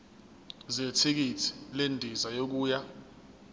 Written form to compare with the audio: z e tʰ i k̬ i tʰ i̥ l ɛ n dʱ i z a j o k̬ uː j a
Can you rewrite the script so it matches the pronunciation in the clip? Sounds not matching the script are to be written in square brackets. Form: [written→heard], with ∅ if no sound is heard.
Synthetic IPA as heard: z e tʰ i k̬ i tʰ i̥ l [ɛ→e] n dʱ i z a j o k̬ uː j a

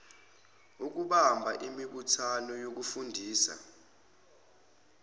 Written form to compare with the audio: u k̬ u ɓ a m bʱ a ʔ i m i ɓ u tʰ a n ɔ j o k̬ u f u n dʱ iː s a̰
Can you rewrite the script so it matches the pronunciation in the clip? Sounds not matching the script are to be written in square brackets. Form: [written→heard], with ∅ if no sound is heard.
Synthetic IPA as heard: u k̬ u ɓ a m bʱ a ʔ i m i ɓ u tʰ a n ɔ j o k̬ u f u n dʱ iː s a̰

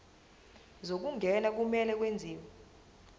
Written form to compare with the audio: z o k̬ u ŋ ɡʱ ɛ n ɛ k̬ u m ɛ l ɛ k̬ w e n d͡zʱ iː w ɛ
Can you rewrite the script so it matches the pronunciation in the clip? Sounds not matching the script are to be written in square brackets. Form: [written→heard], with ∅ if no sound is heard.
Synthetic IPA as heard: z o k̬ u ŋ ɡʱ ɛ n [ɛ→a] k̬ u m ɛ l ɛ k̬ w e n d͡zʱ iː w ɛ

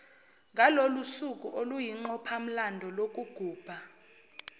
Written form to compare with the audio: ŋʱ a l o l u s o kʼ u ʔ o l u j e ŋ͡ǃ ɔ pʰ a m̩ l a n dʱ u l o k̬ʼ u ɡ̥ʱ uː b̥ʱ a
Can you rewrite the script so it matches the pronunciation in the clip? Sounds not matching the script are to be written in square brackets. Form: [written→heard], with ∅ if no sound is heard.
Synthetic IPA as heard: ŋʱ a l o l u s [o→u] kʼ u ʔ o l u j [e→i] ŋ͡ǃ ɔ pʰ a m̩ l a n dʱ [u→ɔ] l o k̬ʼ u ɡ̥ʱ uː b̥ʱ a

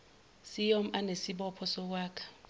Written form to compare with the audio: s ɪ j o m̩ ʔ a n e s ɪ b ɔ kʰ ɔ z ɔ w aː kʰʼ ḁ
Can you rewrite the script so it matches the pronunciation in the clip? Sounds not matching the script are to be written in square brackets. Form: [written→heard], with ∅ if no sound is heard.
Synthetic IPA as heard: s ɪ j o m̩ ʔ a n e s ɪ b ɔ [kʰ→pʰ] ɔ [z→s] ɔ w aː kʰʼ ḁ

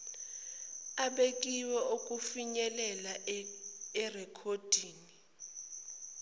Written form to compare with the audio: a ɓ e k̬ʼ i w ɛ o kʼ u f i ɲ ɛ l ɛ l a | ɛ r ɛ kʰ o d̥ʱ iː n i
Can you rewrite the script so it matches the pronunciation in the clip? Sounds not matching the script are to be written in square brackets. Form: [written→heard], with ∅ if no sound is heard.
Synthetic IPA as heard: a ɓ e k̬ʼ i w ɛ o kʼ u f i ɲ ɛ l ɛ l a | ɛ r ɛ kʰ o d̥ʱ iː n i

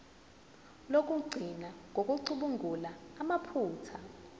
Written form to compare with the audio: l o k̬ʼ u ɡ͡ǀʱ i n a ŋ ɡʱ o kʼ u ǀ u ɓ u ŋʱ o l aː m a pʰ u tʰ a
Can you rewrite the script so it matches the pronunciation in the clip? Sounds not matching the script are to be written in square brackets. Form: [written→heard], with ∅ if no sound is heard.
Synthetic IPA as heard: l o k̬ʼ u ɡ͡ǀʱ i n a ŋ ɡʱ o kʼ u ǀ u ɓ u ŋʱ [o→u] l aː m a pʰ [u→uː] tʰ a

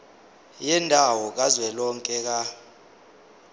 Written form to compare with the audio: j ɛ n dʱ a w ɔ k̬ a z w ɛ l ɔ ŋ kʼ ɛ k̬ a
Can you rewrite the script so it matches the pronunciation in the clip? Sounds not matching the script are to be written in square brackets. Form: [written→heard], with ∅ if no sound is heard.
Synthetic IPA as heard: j ɛ n dʱ a w ɔ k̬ a z w ɛ l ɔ ŋ kʼ ɛ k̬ a

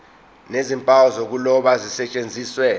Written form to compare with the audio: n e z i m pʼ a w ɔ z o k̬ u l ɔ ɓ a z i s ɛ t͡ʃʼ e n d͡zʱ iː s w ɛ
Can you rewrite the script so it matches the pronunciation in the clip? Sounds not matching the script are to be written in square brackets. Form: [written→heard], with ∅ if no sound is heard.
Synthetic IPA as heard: n e z i m pʼ a w ɔ z o k̬ u l ɔ ɓ a z i s ɛ t͡ʃʼ e n d͡zʱ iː s w ɛ

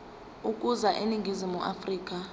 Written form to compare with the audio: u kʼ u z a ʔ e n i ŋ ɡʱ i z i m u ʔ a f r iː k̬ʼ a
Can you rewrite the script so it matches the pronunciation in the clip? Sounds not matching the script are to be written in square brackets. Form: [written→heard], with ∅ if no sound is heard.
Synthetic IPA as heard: u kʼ u z a ʔ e n i ŋ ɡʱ i z i m u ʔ a f r iː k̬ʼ a

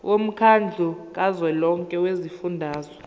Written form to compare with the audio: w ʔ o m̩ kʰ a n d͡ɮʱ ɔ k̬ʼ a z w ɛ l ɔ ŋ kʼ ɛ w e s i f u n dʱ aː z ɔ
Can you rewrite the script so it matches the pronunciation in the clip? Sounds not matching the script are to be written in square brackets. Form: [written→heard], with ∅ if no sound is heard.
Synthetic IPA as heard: w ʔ o m̩ kʰ a n d͡ɮʱ [ɔ→u] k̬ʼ a z w ɛ l ɔ ŋ kʼ ɛ w e [s→z] i f u n dʱ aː z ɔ

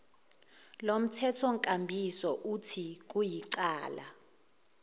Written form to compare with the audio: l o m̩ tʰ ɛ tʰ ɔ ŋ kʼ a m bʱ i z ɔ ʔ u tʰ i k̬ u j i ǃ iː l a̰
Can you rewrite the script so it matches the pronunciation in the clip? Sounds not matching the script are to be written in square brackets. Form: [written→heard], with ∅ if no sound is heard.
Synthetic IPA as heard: l o m̩ tʰ ɛ tʰ ɔ ŋ kʼ a m bʱ i [z→s] ɔ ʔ u tʰ i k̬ u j i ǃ [iː→aː] l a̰

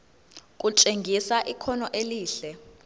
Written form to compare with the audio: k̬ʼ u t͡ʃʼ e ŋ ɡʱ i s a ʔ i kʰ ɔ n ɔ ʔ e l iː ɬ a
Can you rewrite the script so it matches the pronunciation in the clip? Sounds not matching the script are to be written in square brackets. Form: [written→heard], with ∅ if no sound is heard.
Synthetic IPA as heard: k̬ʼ u t͡ʃʼ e ŋ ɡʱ i s a ʔ i kʰ ɔ n ɔ ʔ e l iː ɬ [a→ɛ]

